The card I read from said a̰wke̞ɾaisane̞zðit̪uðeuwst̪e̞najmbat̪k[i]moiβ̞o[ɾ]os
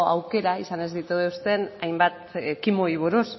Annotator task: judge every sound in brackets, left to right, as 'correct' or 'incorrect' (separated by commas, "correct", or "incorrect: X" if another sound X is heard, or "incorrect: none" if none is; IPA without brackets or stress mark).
correct, correct